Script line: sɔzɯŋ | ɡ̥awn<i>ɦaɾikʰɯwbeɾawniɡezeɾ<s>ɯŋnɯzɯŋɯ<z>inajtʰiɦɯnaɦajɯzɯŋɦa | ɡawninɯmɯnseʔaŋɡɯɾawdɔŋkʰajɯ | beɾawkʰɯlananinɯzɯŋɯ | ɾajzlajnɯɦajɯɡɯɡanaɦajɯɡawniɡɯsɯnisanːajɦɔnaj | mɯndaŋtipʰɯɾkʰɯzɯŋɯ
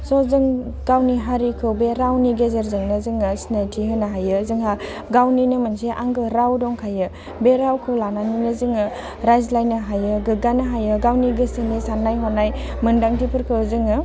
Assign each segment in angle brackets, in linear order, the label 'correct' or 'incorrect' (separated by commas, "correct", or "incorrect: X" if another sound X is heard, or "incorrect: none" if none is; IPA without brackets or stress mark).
correct, incorrect: z, incorrect: s